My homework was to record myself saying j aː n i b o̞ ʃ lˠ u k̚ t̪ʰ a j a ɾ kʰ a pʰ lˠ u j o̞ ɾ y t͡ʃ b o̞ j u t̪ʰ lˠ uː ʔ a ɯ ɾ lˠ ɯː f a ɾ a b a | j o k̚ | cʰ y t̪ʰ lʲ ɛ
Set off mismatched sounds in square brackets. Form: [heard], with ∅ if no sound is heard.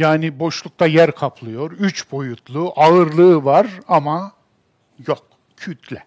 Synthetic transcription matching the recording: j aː n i b o̞ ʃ lˠ u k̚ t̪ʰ a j [æ] ɾ kʰ a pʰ lˠ [ɯ] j o̞ ɾ y t͡ʃ b o̞ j u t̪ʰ lˠ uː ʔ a ɯ ɾ lˠ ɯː [v] a ɾ a [m] a | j o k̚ | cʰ y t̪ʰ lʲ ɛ